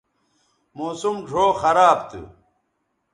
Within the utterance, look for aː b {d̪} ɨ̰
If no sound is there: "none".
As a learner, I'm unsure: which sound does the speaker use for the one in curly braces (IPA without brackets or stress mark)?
t̪